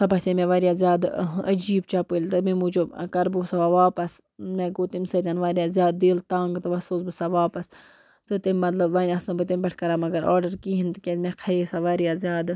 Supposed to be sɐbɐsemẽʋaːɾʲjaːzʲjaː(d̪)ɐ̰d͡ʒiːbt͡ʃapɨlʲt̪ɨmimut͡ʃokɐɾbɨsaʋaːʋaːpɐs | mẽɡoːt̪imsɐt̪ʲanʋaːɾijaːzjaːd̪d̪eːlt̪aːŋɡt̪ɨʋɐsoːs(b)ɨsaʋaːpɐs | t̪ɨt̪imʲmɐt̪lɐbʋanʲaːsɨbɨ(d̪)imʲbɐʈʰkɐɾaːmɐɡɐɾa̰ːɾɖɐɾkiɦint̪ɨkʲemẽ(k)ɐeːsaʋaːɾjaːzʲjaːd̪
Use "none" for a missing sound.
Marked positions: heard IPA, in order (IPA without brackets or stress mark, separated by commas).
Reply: d̪, b, t̪, kʰ